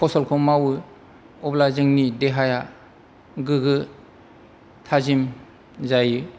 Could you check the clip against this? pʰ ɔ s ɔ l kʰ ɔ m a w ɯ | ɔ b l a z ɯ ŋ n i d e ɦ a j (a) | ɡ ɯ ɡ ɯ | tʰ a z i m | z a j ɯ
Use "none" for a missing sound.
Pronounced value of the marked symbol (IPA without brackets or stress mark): a